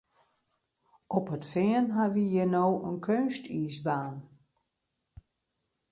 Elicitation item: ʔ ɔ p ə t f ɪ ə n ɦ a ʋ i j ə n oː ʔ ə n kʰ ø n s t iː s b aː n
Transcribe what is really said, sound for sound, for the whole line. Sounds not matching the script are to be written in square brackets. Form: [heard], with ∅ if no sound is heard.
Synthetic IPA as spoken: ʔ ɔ p ə t f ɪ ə n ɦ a ʋ i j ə n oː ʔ ə n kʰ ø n s t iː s b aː n